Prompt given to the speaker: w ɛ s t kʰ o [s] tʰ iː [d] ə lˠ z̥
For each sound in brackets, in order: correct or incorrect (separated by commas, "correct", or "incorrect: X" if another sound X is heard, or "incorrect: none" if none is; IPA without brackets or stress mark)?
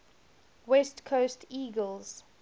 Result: correct, incorrect: ɡ